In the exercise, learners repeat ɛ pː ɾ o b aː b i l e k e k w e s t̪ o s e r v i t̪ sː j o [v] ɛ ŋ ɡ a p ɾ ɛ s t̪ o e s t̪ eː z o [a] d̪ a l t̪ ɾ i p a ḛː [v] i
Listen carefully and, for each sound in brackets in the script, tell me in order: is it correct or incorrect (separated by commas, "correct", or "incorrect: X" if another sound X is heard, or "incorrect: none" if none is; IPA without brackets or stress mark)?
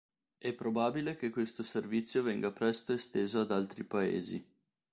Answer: correct, correct, incorrect: z